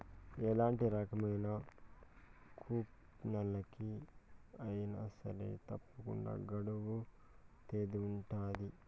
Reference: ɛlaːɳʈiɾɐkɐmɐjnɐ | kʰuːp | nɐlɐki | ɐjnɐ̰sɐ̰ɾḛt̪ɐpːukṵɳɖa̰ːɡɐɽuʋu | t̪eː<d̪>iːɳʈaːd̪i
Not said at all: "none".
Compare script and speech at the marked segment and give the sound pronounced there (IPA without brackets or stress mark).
d̪